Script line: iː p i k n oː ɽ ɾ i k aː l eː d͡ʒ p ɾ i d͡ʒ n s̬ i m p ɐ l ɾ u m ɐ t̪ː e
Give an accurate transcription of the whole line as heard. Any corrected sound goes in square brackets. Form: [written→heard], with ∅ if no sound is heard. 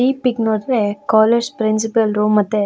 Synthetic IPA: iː p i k n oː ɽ ɾ [i→e] k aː l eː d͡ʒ p ɾ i [d͡ʒ→∅] n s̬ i [m→∅] p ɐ l ɾ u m ɐ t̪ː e